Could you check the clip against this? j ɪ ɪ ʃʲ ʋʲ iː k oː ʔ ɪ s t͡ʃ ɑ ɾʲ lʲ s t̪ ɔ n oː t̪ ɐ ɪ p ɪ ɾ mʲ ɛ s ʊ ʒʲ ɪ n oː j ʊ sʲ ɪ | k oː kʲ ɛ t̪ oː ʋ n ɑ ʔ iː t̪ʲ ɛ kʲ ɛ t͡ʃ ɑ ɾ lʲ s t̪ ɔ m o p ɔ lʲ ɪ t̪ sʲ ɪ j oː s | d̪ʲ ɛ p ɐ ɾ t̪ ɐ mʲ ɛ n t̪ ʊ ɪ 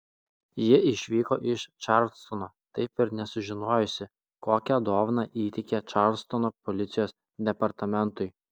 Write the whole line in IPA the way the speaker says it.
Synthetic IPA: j ɪ ɪ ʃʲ ʋʲ iː k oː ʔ ɪ ʃ t͡ʃ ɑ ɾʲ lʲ s t̪ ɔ n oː t̪ ɐ ɪ p ɪ ɾ nʲ ɛ s ʊ ʒʲ ɪ n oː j ʊ sʲ ɪ | k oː kʲ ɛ d̪ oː ʋ n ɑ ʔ iː t̪ʲ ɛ kʲ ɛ t͡ʃ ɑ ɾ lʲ s t̪ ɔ n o p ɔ lʲ ɪ t̪ sʲ ɪ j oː s | d̪ʲ ɛ p ɐ ɾ t̪ ɐ mʲ ɛ n t̪ ʊ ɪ